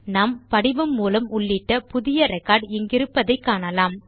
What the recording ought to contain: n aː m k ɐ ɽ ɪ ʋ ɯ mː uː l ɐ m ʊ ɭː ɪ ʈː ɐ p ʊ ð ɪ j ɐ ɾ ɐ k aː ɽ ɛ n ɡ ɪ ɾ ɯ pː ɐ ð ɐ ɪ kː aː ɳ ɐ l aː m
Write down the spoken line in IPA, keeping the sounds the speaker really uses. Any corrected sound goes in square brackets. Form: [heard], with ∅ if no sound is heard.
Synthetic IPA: n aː m [p] ɐ ɽ ɪ ʋ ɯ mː uː l ɐ m ʊ ɭː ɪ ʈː ɐ p ʊ ð ɪ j ɐ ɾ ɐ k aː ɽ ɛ [ŋ] ɡ ɪ ɾ ɯ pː ɐ ð ɐ ɪ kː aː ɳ ɐ l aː m

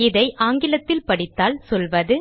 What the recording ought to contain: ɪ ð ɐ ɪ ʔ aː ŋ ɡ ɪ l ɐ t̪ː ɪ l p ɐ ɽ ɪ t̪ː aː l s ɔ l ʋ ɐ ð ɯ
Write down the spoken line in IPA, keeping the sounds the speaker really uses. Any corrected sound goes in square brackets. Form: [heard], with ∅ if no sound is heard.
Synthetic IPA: ɪ ð ɐ ɪ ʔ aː ŋ ɡ ɪ l ɐ t̪ː ɪ l p ɐ ɽ ɪ t̪ː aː l s ɔ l ʋ ɐ ð ɯ

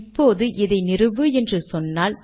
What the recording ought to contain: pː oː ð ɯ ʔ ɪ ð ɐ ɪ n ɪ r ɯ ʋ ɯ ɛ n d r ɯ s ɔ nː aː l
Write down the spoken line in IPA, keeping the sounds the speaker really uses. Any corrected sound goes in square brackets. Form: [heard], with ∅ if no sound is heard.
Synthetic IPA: pː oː ð ɯ ʔ ɪ ð ɐ ɪ n ɪ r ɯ ʋ ɯ ɛ n d r ɯ s ɔ nː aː l

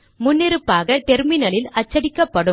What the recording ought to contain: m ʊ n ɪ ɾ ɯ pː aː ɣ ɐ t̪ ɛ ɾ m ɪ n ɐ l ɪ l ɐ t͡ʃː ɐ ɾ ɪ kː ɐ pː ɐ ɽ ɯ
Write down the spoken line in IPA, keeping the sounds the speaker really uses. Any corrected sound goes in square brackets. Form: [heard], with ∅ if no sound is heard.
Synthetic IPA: m ʊ [nː] ɪ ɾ ɯ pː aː ɣ ɐ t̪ ɛ ɾ m ɪ n ɐ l ɪ l ɐ t͡ʃː ɐ [ɽ] ɪ kː ɐ pː ɐ ɽ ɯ

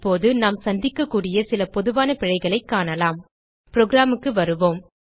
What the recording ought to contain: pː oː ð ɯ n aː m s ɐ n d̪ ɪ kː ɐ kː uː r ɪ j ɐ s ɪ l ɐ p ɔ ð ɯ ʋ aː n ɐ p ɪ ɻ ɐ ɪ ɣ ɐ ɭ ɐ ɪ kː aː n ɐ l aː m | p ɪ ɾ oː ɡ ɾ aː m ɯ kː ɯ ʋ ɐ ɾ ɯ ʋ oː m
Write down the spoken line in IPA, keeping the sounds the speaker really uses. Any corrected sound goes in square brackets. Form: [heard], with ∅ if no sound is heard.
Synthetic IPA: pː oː ð ɯ n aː m s ɐ n d̪ ɪ kː ɐ kː uː [ɽ] ɪ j ɐ s ɪ l ɐ p ɔ ð ɯ ʋ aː n ɐ p ɪ ɻ ɐ ɪ ɣ ɐ ɭ ɐ ɪ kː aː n ɐ l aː m | p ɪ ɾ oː ɡ ɾ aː m ɯ kː ɯ ʋ ɐ ɾ ɯ ʋ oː m

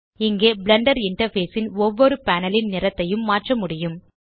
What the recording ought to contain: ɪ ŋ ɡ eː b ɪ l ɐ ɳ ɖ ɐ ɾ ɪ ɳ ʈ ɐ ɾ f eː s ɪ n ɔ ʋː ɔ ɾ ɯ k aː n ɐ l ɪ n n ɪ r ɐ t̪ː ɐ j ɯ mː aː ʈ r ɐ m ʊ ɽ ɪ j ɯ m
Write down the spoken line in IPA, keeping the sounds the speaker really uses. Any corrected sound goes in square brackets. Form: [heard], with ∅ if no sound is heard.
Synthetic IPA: ɪ ŋ ɡ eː b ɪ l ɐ ɳ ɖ ɐ ɾ ɪ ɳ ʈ ɐ ɾ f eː s ɪ n ɔ ʋː ɔ ɾ ɯ [p] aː n ɐ l ɪ n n ɪ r ɐ t̪ː ɐ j ɯ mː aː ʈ r ɐ m ʊ ɽ ɪ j ɯ m

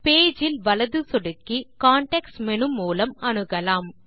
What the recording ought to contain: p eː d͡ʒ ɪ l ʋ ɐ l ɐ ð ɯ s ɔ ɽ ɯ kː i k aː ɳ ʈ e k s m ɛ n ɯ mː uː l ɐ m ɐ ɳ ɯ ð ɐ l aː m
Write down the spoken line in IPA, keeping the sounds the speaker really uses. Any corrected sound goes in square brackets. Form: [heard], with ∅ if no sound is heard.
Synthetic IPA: p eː d͡ʒ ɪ l ʋ ɐ l ɐ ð ɯ s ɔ ɽ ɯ kː i k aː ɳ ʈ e k s m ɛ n ɯ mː uː l ɐ m ɐ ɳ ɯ [ɣ] ɐ l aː m

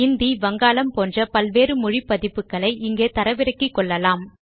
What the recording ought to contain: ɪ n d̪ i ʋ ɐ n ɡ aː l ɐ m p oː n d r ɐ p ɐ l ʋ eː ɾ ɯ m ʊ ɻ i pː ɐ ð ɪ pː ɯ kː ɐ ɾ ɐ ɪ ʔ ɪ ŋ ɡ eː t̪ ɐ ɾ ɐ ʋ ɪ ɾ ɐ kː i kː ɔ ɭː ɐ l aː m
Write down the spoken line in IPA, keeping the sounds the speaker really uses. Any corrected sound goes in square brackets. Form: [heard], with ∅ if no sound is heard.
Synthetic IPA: ɪ n d̪ i ʋ ɐ [ŋ] ɡ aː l ɐ m p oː n d r ɐ p ɐ l ʋ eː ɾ ɯ m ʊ ɻ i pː ɐ ð ɪ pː ɯ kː ɐ [ɭ] ɐ ɪ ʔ ɪ ŋ ɡ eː t̪ ɐ ɾ ɐ ʋ ɪ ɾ ɐ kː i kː ɔ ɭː ɐ l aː m

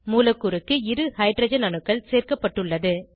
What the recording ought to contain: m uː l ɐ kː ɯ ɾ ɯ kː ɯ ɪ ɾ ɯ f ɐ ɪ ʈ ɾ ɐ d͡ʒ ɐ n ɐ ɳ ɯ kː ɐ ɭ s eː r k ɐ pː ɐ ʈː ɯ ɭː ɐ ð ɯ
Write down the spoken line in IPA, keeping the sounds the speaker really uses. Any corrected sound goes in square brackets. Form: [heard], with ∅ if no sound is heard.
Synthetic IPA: m uː l ɐ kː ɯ ɾ ɯ kː ɯ ɪ ɾ ɯ [h] ɐ ɪ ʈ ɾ ɐ d͡ʒ ɐ n ɐ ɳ ɯ kː ɐ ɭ s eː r k ɐ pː ɐ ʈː ɯ ɭː ɐ ð ɯ

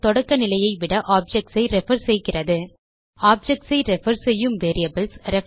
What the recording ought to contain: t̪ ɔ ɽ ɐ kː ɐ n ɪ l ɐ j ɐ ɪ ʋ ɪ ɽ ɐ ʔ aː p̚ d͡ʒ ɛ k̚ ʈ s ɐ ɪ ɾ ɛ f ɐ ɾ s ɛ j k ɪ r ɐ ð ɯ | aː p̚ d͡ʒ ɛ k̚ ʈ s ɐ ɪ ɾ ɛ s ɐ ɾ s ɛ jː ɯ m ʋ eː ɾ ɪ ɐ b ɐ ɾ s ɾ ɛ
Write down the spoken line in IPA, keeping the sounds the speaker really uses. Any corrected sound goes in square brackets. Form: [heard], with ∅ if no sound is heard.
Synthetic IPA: t̪ ɔ ɽ ɐ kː ɐ n ɪ l ɐ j ɐ ɪ ʋ ɪ ɽ ɐ ʔ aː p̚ d͡ʒ ɛ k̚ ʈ s ɐ ɪ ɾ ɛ f ɐ ɾ s ɛ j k ɪ r ɐ ð ɯ | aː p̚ d͡ʒ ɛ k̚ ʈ s ɐ ɪ ɾ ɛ [f] ɐ ɾ s ɛ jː ɯ m ʋ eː ɾ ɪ ɐ b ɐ [l] s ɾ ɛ

